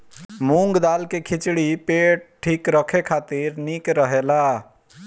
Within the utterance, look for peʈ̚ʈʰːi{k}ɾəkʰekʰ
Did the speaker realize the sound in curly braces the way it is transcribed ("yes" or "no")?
yes